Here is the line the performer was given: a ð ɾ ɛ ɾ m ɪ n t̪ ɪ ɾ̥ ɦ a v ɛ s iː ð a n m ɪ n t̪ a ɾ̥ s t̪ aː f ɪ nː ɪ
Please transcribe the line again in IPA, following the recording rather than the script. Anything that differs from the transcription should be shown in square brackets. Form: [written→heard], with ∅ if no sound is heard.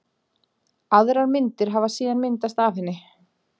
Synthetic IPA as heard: a ð ɾ [ɛ→a] ɾ m ɪ n t̪ ɪ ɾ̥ ɦ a v [ɛ→a] s iː ð a n m ɪ n t̪ a [ɾ̥→∅] s t̪ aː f ɪ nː ɪ